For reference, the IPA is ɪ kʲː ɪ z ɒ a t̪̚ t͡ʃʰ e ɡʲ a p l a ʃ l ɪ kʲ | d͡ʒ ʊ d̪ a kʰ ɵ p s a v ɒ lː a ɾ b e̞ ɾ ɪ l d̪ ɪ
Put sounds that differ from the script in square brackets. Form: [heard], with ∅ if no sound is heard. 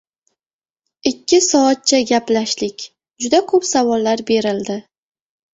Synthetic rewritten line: ɪ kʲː ɪ [s] ɒ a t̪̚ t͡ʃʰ [a] ɡʲ a p l a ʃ l ɪ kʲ | d͡ʒ ʊ d̪ a kʰ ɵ p s a v ɒ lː a ɾ b e̞ ɾ ɪ l d̪ ɪ